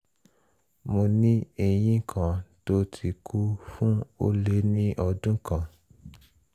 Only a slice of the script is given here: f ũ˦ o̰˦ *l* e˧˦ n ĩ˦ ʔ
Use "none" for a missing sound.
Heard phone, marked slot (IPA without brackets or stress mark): l